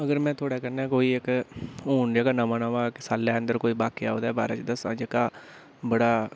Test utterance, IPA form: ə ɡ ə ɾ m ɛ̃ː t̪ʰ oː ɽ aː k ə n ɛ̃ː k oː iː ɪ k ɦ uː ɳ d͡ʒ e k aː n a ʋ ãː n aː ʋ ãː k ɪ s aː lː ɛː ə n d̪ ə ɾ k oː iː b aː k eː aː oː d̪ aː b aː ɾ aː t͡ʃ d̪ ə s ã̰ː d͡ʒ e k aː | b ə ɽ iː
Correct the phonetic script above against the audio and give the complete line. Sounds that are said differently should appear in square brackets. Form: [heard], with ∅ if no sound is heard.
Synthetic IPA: ə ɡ ə ɾ m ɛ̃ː t̪ʰ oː ɽ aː k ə n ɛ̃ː k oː iː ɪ k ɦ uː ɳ d͡ʒ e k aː n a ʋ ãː n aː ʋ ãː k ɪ s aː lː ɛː ə n d̪ ə ɾ k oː iː b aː k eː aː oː d̪ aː b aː ɾ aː t͡ʃ d̪ ə s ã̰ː d͡ʒ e k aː | b ə ɽ [aː]